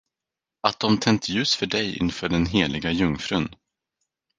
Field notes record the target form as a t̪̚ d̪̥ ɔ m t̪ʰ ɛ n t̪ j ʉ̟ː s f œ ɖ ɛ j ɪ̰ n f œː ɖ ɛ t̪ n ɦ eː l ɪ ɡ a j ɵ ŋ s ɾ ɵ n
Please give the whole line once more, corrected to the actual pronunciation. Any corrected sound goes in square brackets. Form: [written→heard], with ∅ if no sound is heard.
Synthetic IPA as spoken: a t̪̚ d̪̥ ɔ m t̪ʰ ɛ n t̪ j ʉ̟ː s f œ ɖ ɛ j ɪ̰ n f œː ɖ ɛ [t̪→∅] n ɦ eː l ɪ ɡ a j ɵ ŋ [s→f] ɾ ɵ n